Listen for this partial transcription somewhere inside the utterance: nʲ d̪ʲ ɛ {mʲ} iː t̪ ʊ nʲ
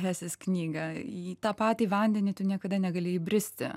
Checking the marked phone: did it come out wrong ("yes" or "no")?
yes